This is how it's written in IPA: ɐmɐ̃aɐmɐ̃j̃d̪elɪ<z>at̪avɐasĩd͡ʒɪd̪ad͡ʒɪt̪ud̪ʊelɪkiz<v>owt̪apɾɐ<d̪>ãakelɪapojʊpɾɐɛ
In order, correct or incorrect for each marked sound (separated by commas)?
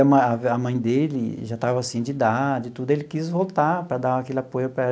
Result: incorrect, correct, correct